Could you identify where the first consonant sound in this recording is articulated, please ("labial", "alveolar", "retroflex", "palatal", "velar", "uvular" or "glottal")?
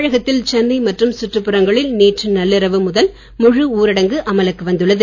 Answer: retroflex